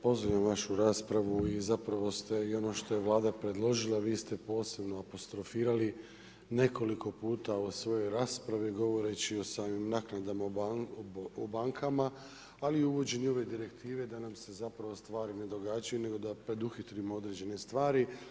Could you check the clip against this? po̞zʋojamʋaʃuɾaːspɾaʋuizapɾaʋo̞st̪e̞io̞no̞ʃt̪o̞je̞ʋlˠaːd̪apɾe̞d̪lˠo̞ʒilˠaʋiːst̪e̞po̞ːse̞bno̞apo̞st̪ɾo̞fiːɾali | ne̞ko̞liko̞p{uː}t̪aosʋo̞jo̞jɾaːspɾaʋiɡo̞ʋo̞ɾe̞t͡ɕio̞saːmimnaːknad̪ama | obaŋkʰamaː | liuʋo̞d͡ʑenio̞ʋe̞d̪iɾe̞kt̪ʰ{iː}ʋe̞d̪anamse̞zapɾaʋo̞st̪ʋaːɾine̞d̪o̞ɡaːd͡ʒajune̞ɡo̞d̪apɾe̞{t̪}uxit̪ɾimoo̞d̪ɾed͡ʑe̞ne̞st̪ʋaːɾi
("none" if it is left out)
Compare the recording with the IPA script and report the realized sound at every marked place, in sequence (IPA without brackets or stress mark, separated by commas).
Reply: uː, iː, d̪